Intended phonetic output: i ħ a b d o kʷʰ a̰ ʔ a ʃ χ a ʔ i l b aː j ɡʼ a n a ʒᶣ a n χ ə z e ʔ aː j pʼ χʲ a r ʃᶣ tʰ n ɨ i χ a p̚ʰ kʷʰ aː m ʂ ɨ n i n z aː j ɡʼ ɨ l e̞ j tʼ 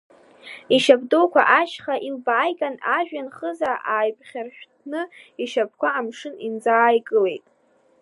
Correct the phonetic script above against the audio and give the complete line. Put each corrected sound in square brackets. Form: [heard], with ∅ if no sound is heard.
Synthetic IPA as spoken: i [ʃ] a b d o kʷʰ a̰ ʔ a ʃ χ a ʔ i l b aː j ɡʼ a n a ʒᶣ a n χ ə z [a] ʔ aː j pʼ χʲ a r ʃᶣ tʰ n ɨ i [ʃ] a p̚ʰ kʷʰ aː m ʂ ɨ n i n [d͡z] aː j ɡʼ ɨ l e̞ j tʼ